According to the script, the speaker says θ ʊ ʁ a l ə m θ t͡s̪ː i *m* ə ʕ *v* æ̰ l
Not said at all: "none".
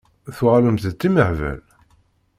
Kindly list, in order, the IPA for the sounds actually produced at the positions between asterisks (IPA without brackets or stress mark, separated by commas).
m, v